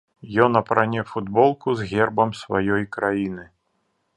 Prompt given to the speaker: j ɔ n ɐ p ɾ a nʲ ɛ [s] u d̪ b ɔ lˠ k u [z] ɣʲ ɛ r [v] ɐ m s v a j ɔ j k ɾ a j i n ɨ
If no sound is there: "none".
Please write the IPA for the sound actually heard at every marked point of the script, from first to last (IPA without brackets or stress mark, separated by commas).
f, z, b